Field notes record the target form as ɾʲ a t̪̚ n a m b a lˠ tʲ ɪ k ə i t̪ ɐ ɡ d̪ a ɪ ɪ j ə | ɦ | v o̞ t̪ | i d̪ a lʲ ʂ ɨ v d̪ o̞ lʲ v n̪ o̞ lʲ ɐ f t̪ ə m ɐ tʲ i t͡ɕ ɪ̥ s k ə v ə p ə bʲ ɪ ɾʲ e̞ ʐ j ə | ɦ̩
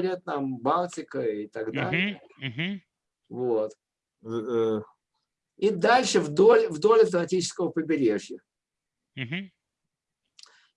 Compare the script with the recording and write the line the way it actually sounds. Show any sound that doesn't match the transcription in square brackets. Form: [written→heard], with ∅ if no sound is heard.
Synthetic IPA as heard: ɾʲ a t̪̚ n a m b a lˠ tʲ ɪ k ə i t̪ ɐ ɡ d̪ a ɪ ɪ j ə | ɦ | v o̞ t̪ | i d̪ a lʲ ʂ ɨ v d̪ o̞ lʲ v [n̪→d̪] o̞ lʲ ɐ f t̪ ə m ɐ tʲ i t͡ɕ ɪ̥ s k ə v ə p ə bʲ ɪ ɾʲ e̞ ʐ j ə | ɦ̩